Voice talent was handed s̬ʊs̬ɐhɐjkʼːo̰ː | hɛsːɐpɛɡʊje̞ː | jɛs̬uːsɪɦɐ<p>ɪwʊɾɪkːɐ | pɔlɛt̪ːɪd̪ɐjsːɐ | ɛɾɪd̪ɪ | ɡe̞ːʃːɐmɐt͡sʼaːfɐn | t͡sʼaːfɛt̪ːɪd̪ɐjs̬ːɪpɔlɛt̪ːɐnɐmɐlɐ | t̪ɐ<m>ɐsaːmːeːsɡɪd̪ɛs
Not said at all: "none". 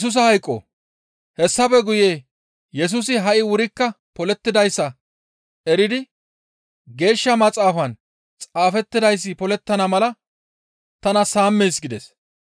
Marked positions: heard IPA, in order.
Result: ʔ, n

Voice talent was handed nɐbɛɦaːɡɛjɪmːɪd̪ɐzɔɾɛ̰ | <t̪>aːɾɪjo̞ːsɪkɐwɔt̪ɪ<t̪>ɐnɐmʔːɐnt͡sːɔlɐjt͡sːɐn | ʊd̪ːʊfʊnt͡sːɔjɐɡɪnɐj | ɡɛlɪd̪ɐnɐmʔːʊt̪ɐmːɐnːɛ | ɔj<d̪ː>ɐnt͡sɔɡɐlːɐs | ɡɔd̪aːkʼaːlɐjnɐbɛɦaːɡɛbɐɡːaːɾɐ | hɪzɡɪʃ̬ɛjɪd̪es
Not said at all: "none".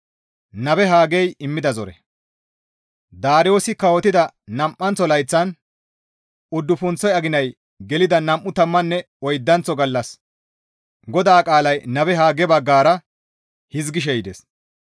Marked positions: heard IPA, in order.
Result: d̪, d̪, d̪ː

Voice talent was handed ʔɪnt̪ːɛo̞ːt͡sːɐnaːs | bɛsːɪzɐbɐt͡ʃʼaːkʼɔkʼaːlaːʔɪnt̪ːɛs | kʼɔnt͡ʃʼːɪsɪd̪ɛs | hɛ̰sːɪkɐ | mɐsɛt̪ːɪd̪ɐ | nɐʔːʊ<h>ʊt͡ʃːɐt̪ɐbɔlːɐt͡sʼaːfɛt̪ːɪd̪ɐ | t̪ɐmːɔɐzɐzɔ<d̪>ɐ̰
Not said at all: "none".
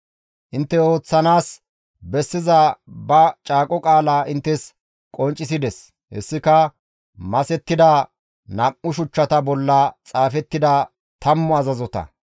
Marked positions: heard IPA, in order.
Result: ʃ, t̪

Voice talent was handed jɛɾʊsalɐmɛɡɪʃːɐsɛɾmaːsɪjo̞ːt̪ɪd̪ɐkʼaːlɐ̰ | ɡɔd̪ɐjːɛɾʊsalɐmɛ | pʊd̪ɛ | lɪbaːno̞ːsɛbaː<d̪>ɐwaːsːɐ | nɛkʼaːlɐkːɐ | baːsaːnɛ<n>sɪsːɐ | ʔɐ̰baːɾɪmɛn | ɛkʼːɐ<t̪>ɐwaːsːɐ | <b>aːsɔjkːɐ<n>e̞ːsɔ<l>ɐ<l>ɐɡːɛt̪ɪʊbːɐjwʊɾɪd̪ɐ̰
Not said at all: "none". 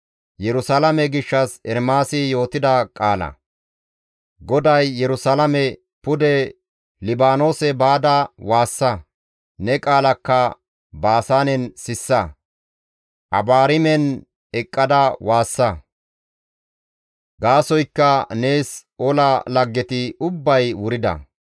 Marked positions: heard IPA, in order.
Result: d̪, n, d̪, ɡ, n, l, l

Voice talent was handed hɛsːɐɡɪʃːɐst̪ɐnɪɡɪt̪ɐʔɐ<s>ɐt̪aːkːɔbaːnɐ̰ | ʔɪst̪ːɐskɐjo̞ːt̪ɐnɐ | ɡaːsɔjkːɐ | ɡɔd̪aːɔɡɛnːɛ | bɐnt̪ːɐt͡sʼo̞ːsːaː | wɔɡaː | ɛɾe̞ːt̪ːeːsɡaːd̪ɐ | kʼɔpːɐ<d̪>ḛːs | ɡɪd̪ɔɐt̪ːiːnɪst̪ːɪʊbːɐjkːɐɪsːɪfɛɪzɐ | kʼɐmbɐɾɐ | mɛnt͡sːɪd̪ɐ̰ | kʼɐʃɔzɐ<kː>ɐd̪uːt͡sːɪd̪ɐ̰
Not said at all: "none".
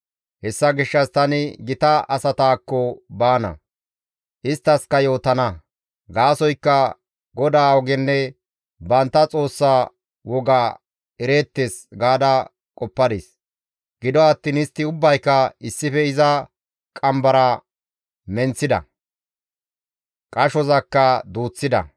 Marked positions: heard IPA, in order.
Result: s, d̪, kː

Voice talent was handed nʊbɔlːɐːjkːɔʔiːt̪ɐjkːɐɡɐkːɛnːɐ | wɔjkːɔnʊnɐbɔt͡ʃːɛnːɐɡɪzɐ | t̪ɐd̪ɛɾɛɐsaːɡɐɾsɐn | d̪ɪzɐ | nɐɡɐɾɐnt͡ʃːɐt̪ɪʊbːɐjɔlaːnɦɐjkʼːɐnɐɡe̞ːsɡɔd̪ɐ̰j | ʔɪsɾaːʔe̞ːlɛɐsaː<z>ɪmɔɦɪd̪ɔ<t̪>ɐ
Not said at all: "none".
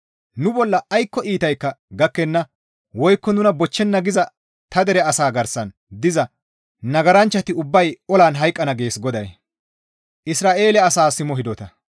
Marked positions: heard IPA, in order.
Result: s, t̪

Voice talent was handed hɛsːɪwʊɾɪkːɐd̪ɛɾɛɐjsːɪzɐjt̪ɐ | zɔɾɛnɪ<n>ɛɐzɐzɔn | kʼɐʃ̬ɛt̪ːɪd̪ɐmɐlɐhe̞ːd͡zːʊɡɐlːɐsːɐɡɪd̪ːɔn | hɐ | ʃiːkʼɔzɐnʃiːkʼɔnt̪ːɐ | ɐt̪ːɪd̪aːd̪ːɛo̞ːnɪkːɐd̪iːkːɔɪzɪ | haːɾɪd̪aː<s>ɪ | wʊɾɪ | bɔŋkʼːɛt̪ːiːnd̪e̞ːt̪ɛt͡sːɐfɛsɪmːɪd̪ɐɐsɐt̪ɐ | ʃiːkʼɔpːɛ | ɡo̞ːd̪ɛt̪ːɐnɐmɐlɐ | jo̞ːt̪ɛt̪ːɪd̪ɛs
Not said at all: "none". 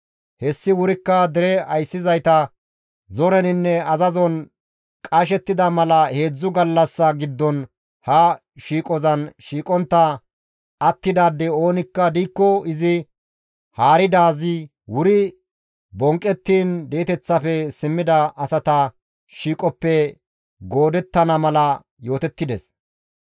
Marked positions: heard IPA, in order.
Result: nː, z

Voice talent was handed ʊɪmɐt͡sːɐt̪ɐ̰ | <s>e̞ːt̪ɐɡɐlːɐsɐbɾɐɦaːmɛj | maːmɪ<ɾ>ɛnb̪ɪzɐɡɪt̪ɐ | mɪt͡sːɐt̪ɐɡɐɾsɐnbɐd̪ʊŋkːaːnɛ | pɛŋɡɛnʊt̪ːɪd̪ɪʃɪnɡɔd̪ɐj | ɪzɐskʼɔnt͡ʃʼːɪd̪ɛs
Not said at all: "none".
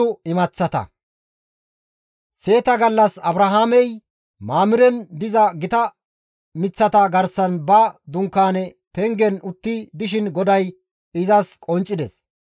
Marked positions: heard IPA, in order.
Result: s, ɾ

